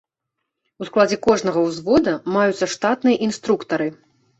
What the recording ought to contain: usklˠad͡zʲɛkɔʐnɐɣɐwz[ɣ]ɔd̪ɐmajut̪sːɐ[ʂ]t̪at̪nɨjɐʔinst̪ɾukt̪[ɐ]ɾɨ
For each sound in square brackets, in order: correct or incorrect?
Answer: incorrect, correct, correct

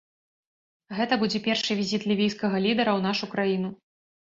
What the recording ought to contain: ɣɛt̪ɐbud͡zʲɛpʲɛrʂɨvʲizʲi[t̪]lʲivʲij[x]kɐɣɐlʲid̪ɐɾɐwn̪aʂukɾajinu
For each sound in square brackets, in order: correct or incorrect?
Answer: correct, incorrect

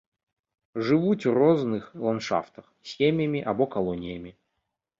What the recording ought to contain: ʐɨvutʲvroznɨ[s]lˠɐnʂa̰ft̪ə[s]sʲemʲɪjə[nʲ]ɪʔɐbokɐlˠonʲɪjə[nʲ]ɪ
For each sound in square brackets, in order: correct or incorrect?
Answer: incorrect, incorrect, incorrect, incorrect

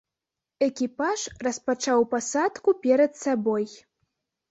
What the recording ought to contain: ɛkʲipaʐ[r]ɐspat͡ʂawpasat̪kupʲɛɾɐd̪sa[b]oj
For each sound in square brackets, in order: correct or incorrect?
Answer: correct, correct

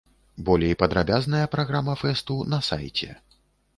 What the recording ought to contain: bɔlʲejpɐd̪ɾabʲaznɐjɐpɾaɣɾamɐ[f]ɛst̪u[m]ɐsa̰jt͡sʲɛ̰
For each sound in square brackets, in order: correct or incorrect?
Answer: correct, incorrect

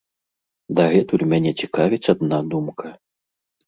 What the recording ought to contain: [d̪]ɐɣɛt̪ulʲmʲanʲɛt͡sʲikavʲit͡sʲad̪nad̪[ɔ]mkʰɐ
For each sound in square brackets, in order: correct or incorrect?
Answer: correct, incorrect

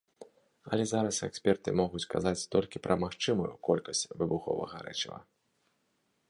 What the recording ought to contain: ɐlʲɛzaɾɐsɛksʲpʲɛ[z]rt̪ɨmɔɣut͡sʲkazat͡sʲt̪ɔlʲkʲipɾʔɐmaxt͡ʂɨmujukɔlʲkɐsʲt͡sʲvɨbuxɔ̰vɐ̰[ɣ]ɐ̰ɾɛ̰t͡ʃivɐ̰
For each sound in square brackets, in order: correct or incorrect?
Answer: incorrect, correct

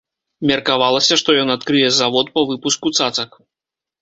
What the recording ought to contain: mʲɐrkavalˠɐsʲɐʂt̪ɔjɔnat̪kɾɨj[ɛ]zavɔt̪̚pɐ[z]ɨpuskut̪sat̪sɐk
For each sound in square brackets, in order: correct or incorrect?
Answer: correct, incorrect

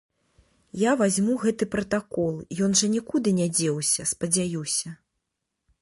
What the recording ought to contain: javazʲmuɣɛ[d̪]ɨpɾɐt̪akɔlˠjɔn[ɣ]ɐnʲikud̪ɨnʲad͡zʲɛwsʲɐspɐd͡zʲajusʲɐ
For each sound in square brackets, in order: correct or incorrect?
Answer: incorrect, incorrect

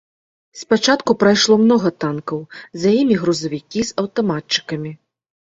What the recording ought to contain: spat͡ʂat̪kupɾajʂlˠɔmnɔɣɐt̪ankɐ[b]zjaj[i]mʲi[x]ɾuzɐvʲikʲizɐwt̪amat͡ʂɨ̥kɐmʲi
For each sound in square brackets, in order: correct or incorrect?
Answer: incorrect, correct, incorrect

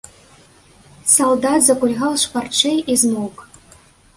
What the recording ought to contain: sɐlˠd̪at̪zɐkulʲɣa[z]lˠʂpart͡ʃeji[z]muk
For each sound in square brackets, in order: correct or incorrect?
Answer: incorrect, correct

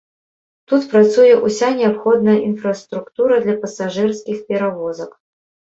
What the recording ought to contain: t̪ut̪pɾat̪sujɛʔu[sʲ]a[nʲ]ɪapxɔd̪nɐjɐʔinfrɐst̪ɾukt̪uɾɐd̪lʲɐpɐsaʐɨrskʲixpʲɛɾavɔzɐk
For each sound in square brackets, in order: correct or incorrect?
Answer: correct, correct

